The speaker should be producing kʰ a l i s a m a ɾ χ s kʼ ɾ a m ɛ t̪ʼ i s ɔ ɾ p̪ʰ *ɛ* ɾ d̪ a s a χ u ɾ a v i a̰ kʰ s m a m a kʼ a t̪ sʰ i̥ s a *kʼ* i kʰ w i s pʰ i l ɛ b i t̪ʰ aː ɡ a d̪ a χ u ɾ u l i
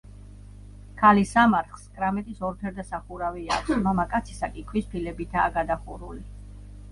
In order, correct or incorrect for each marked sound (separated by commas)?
correct, correct